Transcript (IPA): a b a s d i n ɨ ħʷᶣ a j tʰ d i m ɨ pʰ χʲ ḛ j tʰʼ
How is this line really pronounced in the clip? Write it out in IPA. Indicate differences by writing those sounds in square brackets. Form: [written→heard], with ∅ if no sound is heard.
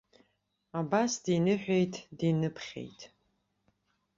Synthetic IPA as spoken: a b a s d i n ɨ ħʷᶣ [a→e] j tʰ d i [m→n] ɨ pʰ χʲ ḛ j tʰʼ